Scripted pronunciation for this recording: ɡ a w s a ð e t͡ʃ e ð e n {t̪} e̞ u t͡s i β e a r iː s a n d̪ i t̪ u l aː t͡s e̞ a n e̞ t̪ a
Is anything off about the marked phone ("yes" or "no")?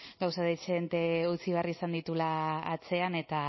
no